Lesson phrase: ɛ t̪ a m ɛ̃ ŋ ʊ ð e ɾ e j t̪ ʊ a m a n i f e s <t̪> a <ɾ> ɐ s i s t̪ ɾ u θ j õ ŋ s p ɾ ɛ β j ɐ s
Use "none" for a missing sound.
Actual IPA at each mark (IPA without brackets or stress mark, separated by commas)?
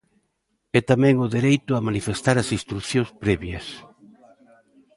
t̪, ɾ